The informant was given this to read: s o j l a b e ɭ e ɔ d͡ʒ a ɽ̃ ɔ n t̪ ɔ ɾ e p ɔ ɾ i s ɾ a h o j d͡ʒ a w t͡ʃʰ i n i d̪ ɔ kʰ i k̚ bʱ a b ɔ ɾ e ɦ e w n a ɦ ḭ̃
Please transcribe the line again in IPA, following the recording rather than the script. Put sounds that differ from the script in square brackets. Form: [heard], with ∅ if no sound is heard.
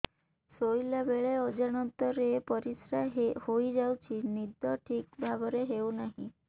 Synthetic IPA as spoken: s o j l a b e ɭ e ɔ d͡ʒ a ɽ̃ ɔ n t̪ ɔ ɾ e p ɔ ɾ i s ɾ a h o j d͡ʒ a w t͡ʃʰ i n i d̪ ɔ [ʈʰ] i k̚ bʱ a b ɔ ɾ e ɦ e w n a ɦ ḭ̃